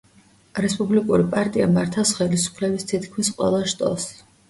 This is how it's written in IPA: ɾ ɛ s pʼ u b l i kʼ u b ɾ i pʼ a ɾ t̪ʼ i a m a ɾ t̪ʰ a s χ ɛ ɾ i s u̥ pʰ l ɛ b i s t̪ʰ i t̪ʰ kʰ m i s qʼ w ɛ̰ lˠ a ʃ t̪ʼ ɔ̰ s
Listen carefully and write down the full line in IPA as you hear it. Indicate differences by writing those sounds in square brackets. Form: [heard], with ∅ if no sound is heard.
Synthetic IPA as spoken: ɾ ɛ s pʼ u b l i kʼ u [∅] ɾ i pʼ a ɾ t̪ʼ i a m a ɾ t̪ʰ a s χ ɛ [l] i s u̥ pʰ l ɛ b i s t̪ʰ i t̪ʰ kʰ m i s qʼ w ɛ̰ lˠ a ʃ t̪ʼ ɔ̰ s